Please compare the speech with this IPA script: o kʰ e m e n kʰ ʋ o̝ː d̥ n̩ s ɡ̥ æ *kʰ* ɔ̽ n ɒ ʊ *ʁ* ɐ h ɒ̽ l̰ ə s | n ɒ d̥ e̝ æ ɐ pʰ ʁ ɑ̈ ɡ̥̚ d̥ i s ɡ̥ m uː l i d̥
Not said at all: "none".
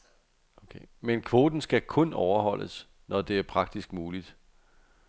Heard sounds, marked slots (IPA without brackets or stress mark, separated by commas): kʰ, none